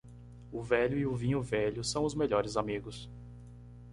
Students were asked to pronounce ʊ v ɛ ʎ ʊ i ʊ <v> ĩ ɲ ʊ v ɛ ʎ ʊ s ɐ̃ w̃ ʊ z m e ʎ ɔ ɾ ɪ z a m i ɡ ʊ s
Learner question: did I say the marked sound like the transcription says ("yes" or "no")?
yes